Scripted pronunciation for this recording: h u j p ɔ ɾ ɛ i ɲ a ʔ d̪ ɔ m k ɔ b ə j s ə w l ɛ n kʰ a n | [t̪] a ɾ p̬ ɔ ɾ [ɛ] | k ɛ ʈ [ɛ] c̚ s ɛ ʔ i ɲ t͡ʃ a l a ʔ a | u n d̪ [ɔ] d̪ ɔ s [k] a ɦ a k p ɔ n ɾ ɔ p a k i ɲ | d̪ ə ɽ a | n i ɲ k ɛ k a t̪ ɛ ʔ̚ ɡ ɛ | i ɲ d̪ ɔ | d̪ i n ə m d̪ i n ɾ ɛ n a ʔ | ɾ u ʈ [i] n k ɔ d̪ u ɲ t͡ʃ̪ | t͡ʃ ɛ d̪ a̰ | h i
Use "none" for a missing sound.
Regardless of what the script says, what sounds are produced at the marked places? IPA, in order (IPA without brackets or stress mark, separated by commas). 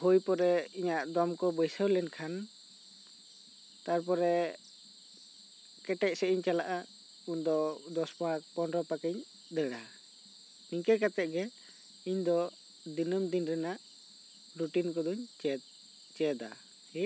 t̪, ɛ, ɛ, ɔ, p, i